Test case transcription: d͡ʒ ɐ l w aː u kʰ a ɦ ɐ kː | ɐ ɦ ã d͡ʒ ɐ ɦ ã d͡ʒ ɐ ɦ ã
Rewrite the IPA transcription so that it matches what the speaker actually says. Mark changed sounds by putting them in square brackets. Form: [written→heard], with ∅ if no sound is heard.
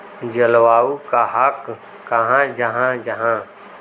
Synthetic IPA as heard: d͡ʒ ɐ l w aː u [kʰ→k] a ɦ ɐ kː | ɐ ɦ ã d͡ʒ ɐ ɦ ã d͡ʒ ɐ ɦ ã